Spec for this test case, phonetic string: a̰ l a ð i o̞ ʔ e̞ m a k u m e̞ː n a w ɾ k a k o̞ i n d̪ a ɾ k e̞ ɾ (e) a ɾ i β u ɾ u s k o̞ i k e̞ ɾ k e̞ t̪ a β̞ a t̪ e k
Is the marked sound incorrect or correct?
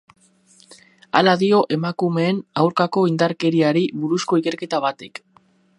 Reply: incorrect